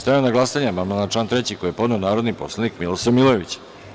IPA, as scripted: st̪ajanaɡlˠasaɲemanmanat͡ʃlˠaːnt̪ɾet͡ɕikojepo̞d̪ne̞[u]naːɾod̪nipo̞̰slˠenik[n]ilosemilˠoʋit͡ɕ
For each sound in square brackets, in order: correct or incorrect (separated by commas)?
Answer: incorrect, incorrect